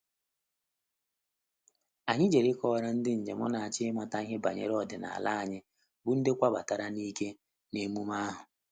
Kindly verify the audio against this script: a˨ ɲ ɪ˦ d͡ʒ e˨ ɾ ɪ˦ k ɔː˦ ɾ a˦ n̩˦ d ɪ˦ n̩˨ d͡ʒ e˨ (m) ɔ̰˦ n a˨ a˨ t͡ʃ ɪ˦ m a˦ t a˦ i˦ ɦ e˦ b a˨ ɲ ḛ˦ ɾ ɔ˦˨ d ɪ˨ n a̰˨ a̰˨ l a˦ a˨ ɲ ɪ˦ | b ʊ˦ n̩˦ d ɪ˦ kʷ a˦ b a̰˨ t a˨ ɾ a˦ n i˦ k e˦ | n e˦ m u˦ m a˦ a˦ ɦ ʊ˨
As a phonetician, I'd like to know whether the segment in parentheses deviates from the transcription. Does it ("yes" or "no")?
no